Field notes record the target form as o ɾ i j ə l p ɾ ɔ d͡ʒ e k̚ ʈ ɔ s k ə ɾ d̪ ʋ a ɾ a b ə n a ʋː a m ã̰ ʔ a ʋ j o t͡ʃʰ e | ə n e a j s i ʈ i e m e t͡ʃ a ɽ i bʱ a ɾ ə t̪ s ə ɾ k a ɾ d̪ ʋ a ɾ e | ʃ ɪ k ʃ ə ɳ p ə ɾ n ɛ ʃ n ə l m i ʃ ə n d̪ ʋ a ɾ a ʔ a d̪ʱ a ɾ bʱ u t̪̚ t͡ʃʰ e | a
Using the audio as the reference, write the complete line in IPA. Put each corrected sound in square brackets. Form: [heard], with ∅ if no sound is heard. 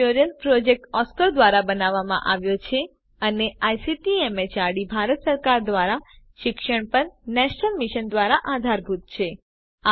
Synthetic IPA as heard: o ɾ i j ə l p ɾ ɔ d͡ʒ e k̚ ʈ ɔ s k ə ɾ d̪ ʋ a ɾ a b ə n a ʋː a m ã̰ ʔ a ʋ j o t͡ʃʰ e | ə n e a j s i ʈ i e m e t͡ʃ a ɽ i bʱ a ɾ ə t̪ s ə ɾ k a ɾ d̪ ʋ a ɾ [a] | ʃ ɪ k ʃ ə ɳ p ə ɾ n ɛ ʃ n ə l m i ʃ ə n d̪ ʋ a ɾ a ʔ a d̪ʱ a ɾ bʱ u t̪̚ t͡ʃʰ e | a